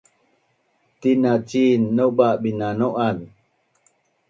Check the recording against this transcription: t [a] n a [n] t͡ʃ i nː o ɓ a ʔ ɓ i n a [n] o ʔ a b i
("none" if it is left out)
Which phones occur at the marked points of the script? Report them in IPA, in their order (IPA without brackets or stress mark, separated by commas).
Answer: i, none, n